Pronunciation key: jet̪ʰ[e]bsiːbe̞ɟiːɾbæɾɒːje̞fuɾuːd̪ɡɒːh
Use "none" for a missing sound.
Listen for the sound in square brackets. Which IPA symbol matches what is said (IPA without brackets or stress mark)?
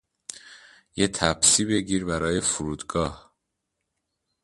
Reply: æ